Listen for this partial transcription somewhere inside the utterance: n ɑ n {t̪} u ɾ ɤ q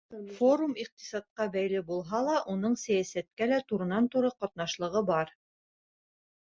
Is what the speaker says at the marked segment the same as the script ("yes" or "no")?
yes